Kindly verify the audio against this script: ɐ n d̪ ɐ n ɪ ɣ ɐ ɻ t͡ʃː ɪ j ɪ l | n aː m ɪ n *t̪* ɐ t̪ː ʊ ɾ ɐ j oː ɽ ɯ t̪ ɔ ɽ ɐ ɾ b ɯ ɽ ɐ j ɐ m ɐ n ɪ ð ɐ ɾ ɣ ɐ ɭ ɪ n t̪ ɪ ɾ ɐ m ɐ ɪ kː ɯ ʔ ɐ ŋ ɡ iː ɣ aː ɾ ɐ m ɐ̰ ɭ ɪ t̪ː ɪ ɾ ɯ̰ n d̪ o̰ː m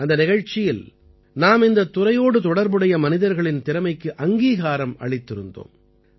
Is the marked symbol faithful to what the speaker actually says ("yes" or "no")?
no